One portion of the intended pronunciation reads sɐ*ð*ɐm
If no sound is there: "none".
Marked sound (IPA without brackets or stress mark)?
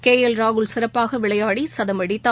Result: ð